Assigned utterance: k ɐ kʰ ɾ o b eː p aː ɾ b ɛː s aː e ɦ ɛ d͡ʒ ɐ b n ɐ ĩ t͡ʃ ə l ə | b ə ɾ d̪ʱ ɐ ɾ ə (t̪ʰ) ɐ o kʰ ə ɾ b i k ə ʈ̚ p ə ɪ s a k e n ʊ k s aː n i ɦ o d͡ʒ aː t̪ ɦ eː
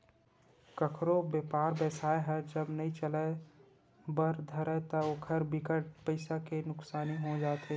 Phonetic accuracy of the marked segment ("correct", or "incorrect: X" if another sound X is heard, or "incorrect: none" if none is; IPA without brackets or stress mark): incorrect: t̪